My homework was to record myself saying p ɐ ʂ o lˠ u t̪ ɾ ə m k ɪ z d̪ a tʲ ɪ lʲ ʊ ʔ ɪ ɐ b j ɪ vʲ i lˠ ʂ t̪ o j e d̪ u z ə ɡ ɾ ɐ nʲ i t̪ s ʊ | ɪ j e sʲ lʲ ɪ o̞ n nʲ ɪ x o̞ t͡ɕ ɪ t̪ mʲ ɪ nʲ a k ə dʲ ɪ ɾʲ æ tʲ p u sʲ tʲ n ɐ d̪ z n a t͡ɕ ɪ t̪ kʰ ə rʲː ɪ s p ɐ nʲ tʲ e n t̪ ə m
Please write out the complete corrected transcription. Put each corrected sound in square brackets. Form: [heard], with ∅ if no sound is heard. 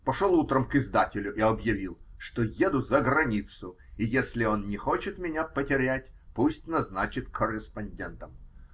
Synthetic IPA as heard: p ɐ ʂ o lˠ u t̪ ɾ ə m k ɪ z d̪ a tʲ ɪ lʲ ʊ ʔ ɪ ɐ b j ɪ vʲ i lˠ ʂ t̪ o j e d̪ [ʊ] z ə ɡ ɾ ɐ nʲ i t̪ s ʊ | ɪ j e sʲ lʲ ɪ o̞ n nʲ ɪ x o̞ t͡ɕ ɪ t̪ mʲ ɪ nʲ a [p] ə [tʲ] ɪ ɾʲ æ tʲ p u sʲ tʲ n ɐ [∅] z n a t͡ɕ ɪ t̪ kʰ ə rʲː ɪ s p ɐ nʲ [dʲ] e n t̪ ə m

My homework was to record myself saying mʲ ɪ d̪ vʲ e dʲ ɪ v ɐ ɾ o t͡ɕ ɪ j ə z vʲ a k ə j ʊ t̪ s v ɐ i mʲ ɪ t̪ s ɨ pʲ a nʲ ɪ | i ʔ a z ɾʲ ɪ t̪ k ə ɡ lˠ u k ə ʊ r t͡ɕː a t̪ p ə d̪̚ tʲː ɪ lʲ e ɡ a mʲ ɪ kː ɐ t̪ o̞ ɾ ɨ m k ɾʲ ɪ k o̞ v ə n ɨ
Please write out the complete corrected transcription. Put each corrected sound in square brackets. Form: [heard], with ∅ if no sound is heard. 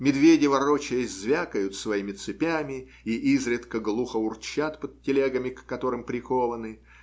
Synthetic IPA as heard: mʲ ɪ d̪ vʲ e dʲ ɪ v ɐ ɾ o t͡ɕ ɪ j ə z vʲ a k ə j ʊ t̪ s v ɐ i mʲ ɪ t̪ s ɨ pʲ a [mʲ] ɪ | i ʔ [i] z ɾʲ ɪ t̪ k ə ɡ lˠ u [x] ə ʊ r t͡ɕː a t̪ p ə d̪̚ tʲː ɪ lʲ e ɡ [ə] mʲ ɪ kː ɐ t̪ o̞ ɾ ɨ m [p] ɾʲ ɪ k o̞ v ə n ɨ

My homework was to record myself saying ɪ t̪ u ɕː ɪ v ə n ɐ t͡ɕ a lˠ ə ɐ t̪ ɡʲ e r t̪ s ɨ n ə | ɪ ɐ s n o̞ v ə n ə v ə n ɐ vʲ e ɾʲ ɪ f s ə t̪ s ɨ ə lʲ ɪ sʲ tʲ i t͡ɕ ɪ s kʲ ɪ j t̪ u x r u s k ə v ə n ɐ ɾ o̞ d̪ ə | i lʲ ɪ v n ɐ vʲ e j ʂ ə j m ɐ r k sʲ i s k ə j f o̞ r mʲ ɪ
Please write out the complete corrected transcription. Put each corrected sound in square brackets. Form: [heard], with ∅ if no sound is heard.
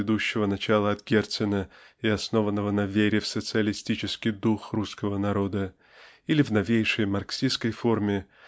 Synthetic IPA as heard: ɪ [d̪] u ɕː ɪ v ə n ɐ t͡ɕ a lˠ ə ɐ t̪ ɡʲ e r t̪ s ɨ n ə | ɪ ɐ s n o̞ v ə [nː] ə v ə n ɐ vʲ e ɾʲ ɪ f s ə t̪ s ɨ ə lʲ ɪ sʲ tʲ i t͡ɕ ɪ s kʲ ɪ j [d̪] u x r u s k ə v ə n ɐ ɾ o̞ d̪ ə | i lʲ ɪ v n ɐ vʲ e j ʂ ə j m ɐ r k sʲ i s k ə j f o̞ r mʲ ɪ

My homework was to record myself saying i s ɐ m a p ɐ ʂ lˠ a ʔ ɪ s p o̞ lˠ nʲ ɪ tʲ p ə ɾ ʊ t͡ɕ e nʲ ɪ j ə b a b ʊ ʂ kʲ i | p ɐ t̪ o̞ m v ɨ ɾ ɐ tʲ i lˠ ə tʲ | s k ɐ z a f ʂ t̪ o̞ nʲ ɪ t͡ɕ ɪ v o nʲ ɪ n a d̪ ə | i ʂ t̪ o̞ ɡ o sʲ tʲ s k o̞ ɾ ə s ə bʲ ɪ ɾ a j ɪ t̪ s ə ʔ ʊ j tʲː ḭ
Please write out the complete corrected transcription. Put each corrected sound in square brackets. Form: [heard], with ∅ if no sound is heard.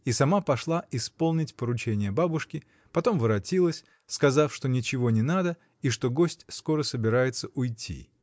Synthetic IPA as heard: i s ɐ m a p ɐ ʂ lˠ a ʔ ɪ s p o̞ lˠ nʲ ɪ tʲ p ə ɾ ʊ t͡ɕ e nʲ ɪ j ə b a b ʊ ʂ kʲ [ɪ] | p ɐ t̪ o̞ m v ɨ ɾ ɐ tʲ i lˠ ə [sʲ] | s k ɐ z a f ʂ t̪ o̞ nʲ ɪ t͡ɕ ɪ v o nʲ ɪ n a d̪ ə | i ʂ t̪ o̞ ɡ o sʲ tʲ s k o̞ ɾ ə s ə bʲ ɪ ɾ a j ɪ t̪ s ə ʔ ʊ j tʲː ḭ

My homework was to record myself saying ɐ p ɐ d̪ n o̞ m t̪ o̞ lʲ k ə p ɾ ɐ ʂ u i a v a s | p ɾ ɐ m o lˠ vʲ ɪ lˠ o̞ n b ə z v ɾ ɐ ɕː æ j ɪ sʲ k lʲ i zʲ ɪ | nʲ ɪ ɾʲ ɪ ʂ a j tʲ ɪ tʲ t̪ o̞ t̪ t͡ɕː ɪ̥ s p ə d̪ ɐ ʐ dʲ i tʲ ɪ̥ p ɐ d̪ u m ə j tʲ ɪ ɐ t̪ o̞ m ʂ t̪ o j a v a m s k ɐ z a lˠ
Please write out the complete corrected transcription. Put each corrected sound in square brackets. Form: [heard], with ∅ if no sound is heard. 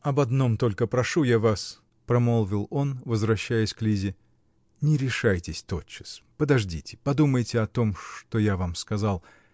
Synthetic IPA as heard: ɐ [b] ɐ d̪ n o̞ m t̪ o̞ lʲ k ə p ɾ ɐ ʂ u [j] a v a s | p ɾ ɐ m o lˠ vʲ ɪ lˠ o̞ n [v] ə z v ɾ ɐ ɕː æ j ɪ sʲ k lʲ i zʲ ɪ | nʲ ɪ ɾʲ ɪ ʂ a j tʲ ɪ [sʲ] t̪ o̞ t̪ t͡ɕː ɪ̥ s p ə d̪ ɐ ʐ dʲ i tʲ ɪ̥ p ɐ d̪ u m ə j tʲ ɪ ɐ t̪ o̞ m ʂ t̪ o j a v a m s k ɐ z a lˠ

